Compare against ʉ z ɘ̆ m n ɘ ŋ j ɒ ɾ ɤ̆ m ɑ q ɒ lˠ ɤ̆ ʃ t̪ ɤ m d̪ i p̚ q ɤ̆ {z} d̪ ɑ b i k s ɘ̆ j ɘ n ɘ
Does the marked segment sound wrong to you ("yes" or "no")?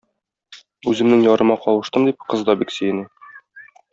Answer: no